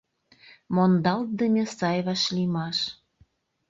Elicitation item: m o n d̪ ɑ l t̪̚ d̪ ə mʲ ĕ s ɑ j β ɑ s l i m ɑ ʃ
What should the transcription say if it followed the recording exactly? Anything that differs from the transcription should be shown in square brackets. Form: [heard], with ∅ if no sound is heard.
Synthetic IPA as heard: m o n d̪ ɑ l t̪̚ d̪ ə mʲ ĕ s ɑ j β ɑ [ʃ] l i m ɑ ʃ